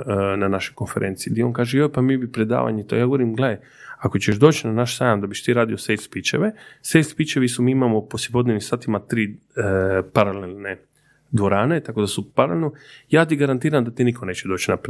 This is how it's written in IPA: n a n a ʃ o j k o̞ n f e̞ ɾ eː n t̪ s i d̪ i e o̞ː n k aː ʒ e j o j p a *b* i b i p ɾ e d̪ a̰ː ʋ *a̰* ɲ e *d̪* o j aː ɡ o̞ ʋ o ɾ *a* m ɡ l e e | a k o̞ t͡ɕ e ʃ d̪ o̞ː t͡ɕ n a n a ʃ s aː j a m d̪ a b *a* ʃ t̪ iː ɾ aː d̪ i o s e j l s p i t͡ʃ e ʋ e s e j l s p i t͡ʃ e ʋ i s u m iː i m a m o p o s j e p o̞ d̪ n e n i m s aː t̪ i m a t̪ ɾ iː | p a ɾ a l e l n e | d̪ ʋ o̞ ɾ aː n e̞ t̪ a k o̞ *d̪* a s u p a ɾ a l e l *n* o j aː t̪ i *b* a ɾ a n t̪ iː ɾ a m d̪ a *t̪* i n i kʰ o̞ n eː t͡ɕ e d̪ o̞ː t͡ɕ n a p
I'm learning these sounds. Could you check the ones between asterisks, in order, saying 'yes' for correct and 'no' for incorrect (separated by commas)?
no, yes, no, no, no, yes, yes, no, yes